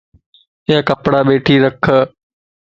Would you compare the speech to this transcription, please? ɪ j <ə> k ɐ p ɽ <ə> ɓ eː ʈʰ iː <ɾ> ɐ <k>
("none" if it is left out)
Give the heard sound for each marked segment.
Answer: a, a, ɾ, kʰ

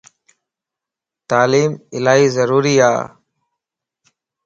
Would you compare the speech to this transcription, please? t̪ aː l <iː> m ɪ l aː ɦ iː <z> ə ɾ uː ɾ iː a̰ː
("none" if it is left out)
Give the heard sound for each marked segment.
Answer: iː, z

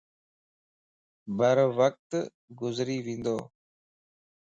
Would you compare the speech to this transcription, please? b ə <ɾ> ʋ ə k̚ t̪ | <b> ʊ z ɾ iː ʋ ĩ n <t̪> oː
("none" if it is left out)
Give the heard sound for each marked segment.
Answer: ɾ, ɡ, d̪

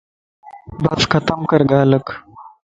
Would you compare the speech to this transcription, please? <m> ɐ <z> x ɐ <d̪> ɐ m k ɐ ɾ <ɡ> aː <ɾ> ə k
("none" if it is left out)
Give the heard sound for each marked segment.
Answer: b, s, t̪, ɡ, l

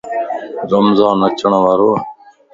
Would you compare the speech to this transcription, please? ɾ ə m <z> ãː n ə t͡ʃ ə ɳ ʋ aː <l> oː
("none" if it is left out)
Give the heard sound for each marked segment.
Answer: z, ɾ

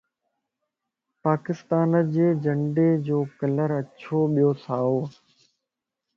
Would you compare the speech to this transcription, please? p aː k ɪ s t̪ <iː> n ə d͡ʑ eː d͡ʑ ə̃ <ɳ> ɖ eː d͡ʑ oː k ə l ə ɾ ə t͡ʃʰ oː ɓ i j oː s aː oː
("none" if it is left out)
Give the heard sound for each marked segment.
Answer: aː, ɳ

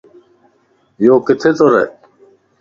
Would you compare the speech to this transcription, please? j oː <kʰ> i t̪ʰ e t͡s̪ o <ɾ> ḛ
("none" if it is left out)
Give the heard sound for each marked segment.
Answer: k, ɾ

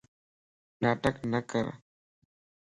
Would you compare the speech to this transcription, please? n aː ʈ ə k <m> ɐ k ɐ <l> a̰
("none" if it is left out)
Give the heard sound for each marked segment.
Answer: n, ɾ

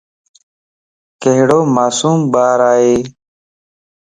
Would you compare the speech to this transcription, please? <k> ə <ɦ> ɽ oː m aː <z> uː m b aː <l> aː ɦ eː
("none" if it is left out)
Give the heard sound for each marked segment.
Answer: k, ɦ, s, ɾ

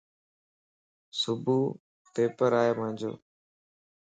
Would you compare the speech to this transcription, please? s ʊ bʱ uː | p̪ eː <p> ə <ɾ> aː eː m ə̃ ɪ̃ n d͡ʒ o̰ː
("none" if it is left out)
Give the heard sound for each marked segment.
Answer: p, ɾ

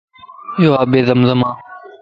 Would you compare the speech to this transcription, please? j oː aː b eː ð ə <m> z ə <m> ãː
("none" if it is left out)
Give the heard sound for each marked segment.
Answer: m, m

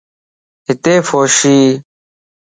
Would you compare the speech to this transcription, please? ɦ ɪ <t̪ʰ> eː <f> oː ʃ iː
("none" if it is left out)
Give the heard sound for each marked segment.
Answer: t̪, f

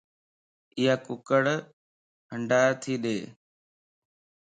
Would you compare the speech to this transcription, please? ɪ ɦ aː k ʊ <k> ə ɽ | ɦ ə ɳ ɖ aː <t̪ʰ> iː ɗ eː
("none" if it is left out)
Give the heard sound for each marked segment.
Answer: k, t̪ʰ

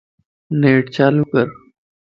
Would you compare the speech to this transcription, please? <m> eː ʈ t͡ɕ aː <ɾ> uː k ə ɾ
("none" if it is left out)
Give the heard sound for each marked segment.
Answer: n, l

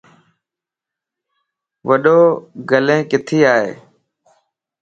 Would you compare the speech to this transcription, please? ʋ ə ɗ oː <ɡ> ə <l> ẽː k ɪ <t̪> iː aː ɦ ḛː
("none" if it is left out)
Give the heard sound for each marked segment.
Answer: ɡ, l, t̪ʰ

